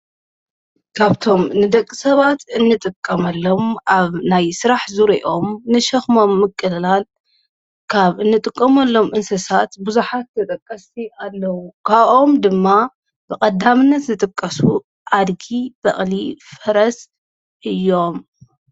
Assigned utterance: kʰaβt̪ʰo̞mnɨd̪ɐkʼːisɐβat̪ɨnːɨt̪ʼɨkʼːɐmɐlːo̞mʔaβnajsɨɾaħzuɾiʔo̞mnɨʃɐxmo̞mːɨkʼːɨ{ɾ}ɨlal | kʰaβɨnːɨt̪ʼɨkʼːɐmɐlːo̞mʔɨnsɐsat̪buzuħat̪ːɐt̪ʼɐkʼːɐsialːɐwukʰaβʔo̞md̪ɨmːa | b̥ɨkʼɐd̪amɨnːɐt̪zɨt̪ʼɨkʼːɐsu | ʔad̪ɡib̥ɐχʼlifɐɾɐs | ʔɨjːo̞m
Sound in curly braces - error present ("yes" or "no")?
yes